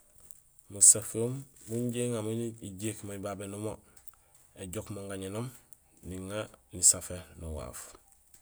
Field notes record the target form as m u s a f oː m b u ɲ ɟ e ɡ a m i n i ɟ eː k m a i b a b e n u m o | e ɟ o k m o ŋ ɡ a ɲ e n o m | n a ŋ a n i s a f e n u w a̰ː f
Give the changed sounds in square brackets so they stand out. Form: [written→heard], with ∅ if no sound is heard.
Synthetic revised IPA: m u s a f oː m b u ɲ ɟ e [ɡ→ŋ] a m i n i ɟ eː k m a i b a b e n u m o | e ɟ o k m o ŋ ɡ a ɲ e n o m | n [a→i] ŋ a n i s a f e n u w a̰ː f

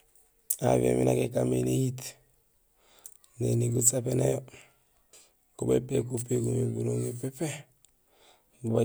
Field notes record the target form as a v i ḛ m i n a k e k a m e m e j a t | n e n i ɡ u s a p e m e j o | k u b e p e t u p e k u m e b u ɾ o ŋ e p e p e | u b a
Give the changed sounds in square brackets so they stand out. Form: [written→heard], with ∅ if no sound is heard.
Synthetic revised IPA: a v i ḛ m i n a k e k a m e [m→n] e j [a→i] t | n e n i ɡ u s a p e [m→n] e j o | k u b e p e [t→k] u p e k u m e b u ɾ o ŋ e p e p e | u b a

